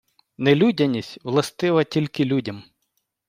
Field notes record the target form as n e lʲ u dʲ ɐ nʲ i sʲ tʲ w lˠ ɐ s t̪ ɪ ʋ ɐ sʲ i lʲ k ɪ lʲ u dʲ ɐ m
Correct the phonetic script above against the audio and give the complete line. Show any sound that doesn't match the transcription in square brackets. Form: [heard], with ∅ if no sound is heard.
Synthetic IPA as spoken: n e lʲ u dʲ ɐ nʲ i sʲ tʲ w lˠ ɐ s t̪ ɪ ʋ ɐ [tʲ] i lʲ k ɪ lʲ u dʲ ɐ m